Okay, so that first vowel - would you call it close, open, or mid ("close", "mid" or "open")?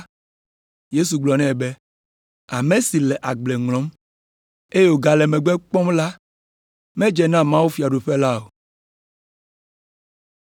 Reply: mid